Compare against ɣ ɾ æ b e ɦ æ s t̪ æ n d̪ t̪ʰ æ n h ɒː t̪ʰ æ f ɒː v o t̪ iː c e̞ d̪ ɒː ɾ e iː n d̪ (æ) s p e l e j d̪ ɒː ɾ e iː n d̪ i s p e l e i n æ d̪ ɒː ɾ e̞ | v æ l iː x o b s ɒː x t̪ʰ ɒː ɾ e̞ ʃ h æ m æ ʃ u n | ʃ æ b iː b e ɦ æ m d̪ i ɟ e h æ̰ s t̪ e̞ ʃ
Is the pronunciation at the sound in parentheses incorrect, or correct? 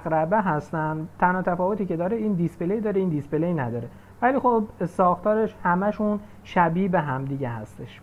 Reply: incorrect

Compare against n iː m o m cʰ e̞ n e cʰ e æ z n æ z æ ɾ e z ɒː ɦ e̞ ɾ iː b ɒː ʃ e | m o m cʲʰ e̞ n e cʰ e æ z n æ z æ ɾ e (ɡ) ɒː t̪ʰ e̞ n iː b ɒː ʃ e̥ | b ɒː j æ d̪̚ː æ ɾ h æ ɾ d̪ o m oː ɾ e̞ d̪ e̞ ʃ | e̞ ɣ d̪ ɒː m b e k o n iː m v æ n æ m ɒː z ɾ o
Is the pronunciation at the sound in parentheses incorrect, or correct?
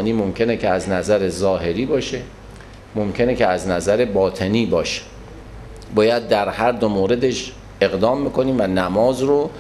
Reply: incorrect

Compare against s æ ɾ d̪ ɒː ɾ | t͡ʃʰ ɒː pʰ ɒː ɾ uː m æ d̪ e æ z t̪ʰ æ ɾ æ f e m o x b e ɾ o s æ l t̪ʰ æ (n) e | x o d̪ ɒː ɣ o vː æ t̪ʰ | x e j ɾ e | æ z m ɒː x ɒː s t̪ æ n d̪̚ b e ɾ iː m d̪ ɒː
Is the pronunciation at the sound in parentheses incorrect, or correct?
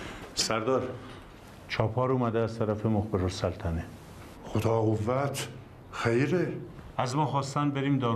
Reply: correct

